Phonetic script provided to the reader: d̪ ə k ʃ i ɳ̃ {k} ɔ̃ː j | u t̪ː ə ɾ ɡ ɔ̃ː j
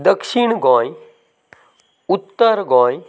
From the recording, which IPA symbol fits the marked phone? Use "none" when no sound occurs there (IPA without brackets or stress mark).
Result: ɡ